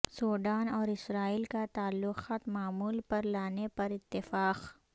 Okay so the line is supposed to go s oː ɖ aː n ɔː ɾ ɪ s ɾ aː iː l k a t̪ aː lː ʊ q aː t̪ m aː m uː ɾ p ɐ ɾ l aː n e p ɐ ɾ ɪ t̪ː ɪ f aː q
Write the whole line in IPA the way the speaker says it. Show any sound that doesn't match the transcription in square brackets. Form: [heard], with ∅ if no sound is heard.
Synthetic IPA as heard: s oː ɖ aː n ɔː ɾ ɪ s ɾ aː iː l k a t̪ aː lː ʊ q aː t̪ m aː m uː [l] p ɐ ɾ l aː n e p ɐ ɾ ɪ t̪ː ɪ f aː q